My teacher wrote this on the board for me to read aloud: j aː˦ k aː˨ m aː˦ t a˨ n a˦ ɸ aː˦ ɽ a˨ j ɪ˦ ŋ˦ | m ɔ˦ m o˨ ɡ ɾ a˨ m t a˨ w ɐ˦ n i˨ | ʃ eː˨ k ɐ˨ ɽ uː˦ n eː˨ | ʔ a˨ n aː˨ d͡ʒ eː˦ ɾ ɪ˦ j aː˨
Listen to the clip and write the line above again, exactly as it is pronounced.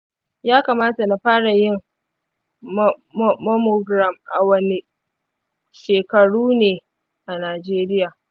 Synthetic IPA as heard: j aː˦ k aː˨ m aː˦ t a˨ n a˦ ɸ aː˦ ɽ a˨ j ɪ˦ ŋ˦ | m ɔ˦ m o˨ ɡ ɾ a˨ m ʔ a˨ w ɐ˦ n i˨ | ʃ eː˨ k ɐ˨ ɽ uː˦ n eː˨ | ʔ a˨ n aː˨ d͡ʒ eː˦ ɾ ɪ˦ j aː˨